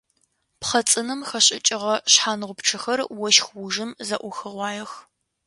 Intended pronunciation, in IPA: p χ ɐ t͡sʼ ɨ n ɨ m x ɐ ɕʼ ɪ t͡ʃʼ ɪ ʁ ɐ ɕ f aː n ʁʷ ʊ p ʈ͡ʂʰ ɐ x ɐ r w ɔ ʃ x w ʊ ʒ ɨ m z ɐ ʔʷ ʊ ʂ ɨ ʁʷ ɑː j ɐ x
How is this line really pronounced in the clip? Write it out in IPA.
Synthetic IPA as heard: p χ ɐ t͡sʼ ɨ n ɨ m x ɐ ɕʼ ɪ t͡ʃʼ ɪ ʁ ɐ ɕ ħ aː n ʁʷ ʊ p ʈ͡ʂʰ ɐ x ɐ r w ɔ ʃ x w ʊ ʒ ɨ m z ɐ ʔʷ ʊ x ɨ ʁʷ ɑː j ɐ x